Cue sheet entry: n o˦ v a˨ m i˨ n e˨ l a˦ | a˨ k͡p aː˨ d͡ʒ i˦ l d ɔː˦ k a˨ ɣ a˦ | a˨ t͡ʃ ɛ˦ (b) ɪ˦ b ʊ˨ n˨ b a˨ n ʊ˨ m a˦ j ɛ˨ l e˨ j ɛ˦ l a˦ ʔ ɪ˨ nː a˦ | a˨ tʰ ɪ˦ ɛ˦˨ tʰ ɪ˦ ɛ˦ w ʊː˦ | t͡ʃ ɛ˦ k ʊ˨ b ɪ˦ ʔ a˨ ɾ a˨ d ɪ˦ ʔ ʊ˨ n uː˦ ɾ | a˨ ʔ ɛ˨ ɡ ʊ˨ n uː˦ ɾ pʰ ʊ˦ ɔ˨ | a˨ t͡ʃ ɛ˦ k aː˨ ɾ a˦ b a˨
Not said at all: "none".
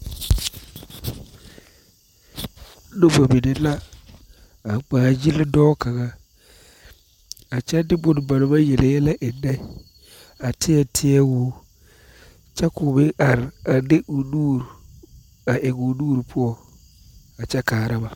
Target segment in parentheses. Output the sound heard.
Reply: d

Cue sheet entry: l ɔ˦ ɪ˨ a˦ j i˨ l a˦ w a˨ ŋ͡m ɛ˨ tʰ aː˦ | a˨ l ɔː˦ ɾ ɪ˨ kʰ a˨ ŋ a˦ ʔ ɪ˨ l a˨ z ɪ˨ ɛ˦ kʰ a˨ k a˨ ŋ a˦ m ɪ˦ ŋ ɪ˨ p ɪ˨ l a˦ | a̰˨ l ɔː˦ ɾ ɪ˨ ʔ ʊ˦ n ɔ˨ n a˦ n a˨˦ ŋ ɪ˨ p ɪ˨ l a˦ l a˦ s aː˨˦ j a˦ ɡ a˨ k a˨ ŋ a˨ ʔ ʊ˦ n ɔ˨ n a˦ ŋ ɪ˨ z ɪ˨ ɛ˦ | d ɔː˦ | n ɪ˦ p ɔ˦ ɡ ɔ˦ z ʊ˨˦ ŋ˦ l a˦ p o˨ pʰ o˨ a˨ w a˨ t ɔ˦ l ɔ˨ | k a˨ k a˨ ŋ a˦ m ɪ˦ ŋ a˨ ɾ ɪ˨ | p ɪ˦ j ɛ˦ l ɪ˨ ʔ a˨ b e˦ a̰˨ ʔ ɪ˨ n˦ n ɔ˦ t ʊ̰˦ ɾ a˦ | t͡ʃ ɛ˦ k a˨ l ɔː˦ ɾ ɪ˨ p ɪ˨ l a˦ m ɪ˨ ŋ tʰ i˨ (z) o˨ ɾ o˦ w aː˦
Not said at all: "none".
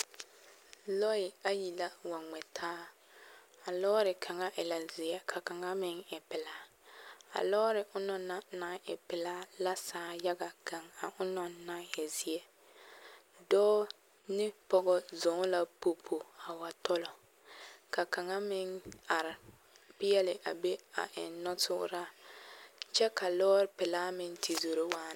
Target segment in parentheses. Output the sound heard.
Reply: z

